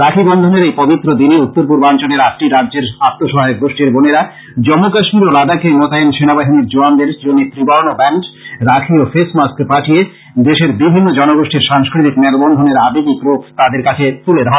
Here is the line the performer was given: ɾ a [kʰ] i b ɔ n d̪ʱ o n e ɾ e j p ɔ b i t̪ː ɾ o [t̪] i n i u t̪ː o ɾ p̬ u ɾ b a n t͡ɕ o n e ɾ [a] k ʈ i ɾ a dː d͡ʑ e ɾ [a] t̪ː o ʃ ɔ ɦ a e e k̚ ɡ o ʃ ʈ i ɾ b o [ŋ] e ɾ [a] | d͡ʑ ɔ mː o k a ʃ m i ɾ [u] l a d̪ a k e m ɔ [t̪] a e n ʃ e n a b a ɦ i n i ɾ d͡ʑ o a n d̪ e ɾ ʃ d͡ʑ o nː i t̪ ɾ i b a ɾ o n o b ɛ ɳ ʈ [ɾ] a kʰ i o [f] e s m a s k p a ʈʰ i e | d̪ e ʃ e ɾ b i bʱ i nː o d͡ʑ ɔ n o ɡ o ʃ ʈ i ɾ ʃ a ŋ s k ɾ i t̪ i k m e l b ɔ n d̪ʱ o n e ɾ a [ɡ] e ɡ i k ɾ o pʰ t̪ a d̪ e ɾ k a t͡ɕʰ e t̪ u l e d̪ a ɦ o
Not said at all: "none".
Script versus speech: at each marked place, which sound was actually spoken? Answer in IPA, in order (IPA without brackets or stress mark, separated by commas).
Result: kʰ, d̪, a, a, n, a, o, t̪, ɾ, f, b